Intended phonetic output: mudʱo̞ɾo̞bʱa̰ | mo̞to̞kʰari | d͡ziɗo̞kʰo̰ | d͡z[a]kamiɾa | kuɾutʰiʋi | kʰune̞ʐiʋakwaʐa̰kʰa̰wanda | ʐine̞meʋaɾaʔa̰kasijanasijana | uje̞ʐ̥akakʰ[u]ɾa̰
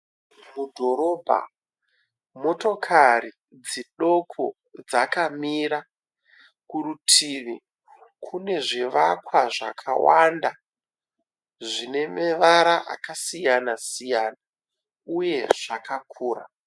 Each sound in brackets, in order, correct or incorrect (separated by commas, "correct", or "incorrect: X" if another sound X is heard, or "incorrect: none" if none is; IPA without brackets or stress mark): correct, incorrect: uː